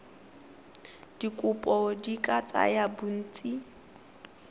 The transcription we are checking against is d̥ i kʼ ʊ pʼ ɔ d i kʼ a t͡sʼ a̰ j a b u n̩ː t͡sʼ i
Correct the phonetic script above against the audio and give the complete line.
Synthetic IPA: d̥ i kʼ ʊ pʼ ɔ d i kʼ a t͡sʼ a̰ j a b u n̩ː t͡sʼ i